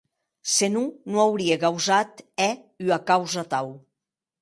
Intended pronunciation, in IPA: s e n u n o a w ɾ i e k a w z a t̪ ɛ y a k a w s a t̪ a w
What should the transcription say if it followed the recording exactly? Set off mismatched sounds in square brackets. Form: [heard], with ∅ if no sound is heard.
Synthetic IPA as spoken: s e n u n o a w ɾ i e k a w z a t̪ ɛ y a k a w [z] a t̪ a w

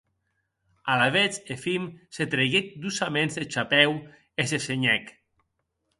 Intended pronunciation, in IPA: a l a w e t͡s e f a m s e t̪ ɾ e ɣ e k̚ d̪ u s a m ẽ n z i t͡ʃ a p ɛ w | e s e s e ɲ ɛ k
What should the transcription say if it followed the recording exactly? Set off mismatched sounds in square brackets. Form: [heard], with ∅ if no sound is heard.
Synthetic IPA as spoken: a l a [β] e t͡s e f [i] m s e t̪ ɾ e ɣ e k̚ d̪ u s a m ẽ n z [e] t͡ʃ a p ɛ w | e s e s e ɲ ɛ k

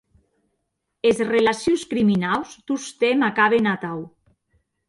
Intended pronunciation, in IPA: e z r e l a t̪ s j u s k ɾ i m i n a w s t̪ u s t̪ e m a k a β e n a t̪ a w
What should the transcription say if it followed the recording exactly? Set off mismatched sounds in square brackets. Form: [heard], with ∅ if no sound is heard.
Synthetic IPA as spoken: e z r e l a [∅] s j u s k ɾ i m i n a w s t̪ u s t̪ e m a k a β e n a t̪ a w

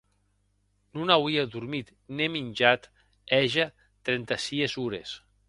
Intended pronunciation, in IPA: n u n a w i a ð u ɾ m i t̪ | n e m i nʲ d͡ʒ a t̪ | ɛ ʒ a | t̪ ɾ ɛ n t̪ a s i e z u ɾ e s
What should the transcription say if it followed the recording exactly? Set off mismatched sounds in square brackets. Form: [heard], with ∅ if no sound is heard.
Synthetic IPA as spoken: n u n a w i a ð u ɾ m i t̪ | n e m i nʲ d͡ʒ a t̪ | ɛ ʒ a | t̪ ɾ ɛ n t̪ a s i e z u ɾ e s

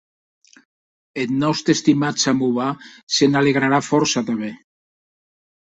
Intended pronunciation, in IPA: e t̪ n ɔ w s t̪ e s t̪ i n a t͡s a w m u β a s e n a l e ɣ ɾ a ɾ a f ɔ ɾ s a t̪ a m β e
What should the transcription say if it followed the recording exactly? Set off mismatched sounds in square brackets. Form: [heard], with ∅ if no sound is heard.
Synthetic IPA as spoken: e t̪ n ɔ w s t̪ e s t̪ i [m] a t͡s a [∅] m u β a s e n a l e ɣ ɾ a ɾ a f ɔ ɾ s a t̪ a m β e

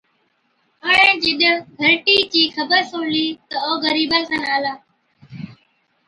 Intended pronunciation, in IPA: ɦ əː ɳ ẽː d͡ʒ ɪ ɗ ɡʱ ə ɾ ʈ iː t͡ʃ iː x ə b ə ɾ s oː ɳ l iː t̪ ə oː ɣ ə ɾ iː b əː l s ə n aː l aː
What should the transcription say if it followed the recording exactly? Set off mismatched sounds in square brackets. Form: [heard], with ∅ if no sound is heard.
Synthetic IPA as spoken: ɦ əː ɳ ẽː d͡ʒ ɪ ɗ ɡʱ ə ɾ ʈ iː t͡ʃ iː x ə b ə ɾ s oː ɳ l iː t̪ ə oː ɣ ə ɾ iː b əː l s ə n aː l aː

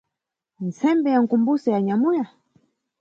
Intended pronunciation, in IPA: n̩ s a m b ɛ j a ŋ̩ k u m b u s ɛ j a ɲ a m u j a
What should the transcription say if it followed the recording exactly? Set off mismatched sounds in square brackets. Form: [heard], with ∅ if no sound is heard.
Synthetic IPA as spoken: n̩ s [ɛ] m b ɛ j a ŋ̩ k u m b u s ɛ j a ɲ a m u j a

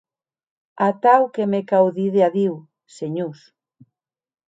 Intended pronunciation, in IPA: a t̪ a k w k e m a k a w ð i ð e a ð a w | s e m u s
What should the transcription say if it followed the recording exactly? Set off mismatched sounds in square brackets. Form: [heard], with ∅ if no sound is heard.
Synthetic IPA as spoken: a t̪ a [∅] w k e m [e] k a w ð i ð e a ð [i] w | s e [ɲ] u s

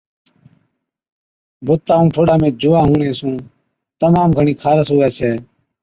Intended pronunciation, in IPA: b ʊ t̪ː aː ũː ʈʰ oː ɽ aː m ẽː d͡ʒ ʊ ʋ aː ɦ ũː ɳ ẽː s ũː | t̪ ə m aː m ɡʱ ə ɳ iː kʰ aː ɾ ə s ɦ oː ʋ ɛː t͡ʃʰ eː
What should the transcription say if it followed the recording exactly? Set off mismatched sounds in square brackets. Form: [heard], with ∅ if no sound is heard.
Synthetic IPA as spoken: b ʊ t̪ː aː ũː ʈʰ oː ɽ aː m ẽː d͡ʒ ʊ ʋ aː ɦ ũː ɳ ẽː s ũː | t̪ ə m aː m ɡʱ ə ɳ iː kʰ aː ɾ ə s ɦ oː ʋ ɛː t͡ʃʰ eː

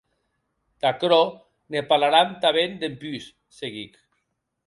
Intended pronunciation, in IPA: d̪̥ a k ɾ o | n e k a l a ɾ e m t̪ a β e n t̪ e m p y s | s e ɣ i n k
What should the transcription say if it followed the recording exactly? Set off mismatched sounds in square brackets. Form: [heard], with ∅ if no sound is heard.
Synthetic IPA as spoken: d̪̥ a k ɾ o | n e [p] a l a ɾ [a] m t̪ a β e n [d̪] e m p y s | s e ɣ i [∅] k

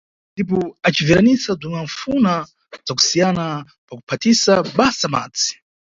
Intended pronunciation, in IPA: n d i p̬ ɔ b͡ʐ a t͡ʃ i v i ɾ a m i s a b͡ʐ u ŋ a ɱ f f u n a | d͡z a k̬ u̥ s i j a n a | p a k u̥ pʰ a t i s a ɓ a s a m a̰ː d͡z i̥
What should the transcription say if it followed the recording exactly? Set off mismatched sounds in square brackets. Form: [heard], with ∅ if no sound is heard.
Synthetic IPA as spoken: n d i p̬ ɔ [∅] a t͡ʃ i v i ɾ a [n] i s a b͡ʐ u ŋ a ɱ f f u n a | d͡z a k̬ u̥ s i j a n a | p a k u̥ pʰ a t i s a ɓ a s a m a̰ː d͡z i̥

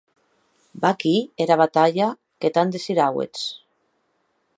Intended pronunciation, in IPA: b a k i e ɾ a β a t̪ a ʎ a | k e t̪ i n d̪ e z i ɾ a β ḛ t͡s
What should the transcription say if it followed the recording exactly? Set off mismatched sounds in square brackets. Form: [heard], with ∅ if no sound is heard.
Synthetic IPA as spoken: b a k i e ɾ a β a t̪ a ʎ a | k e t̪ [a] n d̪ e [s] i ɾ a [w] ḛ t͡s

